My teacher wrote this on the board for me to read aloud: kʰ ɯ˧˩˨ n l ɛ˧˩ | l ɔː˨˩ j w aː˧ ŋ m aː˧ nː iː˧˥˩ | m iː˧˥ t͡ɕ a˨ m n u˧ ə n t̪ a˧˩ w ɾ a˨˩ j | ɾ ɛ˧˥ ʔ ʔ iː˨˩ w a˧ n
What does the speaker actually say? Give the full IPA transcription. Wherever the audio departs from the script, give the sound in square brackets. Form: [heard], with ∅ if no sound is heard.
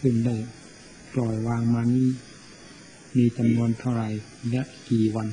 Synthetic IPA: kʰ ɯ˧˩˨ n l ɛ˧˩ | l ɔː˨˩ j w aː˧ ŋ m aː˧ [n] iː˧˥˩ | m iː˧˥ t͡ɕ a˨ m n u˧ ə n [t̪ʰ] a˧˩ w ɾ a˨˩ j | [l] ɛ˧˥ ʔ [k] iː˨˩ w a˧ n

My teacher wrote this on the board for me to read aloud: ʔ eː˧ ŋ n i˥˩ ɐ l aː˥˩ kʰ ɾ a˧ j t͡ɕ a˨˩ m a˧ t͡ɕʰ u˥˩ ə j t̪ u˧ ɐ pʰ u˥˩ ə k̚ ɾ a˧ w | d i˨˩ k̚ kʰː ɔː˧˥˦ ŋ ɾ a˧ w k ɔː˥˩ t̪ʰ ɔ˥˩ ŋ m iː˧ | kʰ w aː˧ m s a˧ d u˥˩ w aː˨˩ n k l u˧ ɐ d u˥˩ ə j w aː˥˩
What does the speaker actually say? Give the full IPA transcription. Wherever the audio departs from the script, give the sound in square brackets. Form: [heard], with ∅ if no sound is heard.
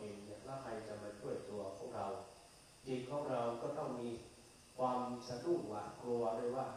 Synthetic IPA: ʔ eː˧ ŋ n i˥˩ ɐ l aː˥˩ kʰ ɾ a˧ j t͡ɕ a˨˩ m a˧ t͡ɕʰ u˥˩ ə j t̪ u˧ ɐ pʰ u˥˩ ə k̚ ɾ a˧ w | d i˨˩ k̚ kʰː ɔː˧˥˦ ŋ ɾ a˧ w k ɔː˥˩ [t̪] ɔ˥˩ ŋ m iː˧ | kʰ w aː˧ m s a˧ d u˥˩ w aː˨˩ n k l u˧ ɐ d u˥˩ ə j w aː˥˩

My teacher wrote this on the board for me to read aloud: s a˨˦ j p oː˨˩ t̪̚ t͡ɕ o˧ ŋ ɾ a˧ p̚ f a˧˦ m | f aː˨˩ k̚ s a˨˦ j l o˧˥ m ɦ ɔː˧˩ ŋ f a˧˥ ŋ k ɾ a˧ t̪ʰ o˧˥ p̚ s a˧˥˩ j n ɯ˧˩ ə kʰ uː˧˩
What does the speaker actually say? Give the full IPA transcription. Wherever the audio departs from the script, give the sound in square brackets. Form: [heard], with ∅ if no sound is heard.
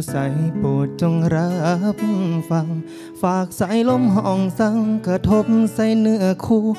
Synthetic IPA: s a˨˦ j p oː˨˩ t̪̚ t͡ɕ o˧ ŋ ɾ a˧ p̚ f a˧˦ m | f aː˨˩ k̚ s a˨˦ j l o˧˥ m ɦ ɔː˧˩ ŋ [s] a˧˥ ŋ k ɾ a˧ t̪ʰ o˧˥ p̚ s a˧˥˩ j n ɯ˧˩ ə kʰ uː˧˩

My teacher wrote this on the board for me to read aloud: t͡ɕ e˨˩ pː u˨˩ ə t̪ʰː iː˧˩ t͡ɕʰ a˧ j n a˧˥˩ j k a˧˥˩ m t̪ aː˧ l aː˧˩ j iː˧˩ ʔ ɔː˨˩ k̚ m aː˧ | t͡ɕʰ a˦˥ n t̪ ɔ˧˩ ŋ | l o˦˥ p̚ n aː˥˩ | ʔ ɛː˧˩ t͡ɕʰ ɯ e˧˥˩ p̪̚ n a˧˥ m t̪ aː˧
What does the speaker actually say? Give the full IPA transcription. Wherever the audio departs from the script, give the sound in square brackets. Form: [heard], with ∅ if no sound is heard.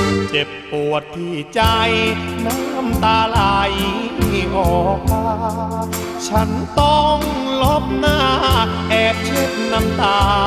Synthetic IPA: t͡ɕ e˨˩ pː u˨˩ ə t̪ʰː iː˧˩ [t͡ɕ] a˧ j n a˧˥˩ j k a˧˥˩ m t̪ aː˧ l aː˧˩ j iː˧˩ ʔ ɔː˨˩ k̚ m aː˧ | t͡ɕʰ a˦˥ n t̪ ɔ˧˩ ŋ | l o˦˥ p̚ n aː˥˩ | ʔ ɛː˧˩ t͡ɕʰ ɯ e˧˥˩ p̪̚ n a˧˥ m t̪ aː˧

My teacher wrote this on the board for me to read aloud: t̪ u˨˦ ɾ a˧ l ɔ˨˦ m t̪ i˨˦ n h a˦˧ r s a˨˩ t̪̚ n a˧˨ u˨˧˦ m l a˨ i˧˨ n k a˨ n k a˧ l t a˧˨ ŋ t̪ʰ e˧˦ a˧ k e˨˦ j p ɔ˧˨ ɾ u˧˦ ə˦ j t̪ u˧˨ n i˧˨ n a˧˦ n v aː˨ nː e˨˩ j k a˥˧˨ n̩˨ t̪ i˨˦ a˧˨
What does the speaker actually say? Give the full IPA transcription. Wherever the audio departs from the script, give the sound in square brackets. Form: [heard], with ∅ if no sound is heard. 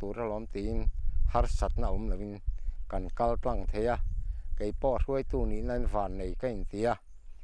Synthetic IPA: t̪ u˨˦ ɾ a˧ l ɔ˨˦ m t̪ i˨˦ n h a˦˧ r s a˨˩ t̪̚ n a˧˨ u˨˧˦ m l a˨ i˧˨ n k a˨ n k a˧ l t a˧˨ ŋ t̪ʰ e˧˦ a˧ k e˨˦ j p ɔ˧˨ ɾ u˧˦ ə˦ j t̪ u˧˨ n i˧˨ n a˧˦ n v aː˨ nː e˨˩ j k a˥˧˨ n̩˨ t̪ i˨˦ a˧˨

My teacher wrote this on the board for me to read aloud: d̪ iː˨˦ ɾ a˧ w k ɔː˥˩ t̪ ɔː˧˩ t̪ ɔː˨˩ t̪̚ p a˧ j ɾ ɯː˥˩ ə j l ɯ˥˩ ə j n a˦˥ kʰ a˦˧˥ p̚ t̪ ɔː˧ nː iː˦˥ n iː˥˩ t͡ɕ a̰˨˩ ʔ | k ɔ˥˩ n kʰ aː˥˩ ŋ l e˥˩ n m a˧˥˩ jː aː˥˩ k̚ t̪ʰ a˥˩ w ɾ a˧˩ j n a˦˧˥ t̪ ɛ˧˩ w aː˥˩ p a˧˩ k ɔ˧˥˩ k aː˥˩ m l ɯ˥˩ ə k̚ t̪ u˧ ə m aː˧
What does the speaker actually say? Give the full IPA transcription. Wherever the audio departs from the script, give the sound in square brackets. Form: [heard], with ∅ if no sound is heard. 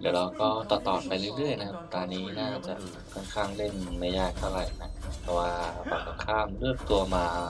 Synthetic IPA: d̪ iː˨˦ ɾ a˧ w k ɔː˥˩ t̪ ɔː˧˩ t̪ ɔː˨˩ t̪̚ p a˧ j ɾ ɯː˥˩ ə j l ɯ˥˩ ə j n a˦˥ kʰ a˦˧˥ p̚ t̪ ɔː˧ nː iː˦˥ n [aː˥˩] t͡ɕ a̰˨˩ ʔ | [kʰ] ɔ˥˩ n kʰ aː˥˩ ŋ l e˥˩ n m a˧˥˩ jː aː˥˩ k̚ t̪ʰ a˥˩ w ɾ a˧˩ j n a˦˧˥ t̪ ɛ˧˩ w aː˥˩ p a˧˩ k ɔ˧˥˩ [kʰ] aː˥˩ m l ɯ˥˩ ə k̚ t̪ u˧ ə m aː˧

